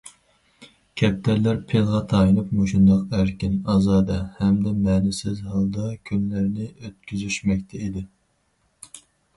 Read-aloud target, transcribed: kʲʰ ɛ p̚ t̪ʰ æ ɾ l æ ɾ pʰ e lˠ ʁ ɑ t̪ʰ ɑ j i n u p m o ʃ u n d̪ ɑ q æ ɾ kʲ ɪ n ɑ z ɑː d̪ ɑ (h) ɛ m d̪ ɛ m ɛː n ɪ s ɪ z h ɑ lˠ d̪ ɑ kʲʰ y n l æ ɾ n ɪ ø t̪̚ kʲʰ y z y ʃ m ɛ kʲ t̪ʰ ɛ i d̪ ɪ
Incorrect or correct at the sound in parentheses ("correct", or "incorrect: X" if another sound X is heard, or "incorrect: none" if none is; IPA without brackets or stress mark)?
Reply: correct